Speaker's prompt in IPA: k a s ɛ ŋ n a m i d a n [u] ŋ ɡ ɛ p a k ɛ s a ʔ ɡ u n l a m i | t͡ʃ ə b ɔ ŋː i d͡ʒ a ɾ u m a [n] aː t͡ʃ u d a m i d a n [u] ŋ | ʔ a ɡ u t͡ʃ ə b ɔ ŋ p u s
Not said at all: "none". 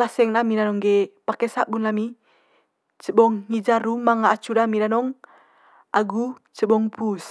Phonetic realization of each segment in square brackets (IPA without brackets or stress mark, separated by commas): ɔ, ŋ, ɔ